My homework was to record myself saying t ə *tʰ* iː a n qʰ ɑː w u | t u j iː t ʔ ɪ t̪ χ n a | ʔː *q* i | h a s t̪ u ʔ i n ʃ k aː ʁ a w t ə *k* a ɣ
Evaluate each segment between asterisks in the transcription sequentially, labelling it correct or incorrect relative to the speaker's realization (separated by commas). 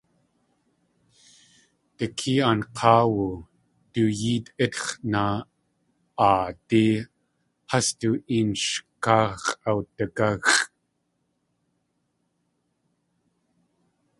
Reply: incorrect, incorrect, correct